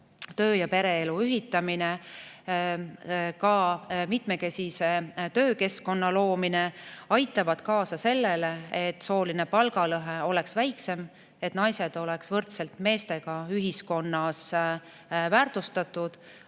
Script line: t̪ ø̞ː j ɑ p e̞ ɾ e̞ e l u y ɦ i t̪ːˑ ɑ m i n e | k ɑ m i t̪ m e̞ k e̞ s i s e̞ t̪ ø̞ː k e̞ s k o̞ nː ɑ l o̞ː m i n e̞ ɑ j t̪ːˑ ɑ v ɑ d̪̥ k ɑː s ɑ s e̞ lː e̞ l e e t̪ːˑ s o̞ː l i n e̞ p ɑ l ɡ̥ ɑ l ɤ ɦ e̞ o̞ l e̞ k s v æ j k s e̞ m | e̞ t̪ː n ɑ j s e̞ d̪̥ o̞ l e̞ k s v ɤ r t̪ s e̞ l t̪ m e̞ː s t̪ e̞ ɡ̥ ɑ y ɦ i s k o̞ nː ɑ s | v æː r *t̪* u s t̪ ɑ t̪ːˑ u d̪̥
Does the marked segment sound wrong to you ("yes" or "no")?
no